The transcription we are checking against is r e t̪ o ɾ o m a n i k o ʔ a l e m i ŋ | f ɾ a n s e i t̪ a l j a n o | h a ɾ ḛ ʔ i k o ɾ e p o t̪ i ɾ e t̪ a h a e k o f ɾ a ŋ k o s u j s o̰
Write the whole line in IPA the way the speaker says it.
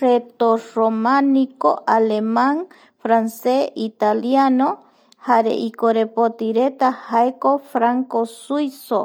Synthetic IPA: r e t̪ o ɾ o m a n i k o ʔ a l e m a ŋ | f ɾ a n s e i t̪ a l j a n o | h a ɾ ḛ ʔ i k o ɾ e p o t̪ i ɾ e t̪ a h a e k o f ɾ a ŋ k o s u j s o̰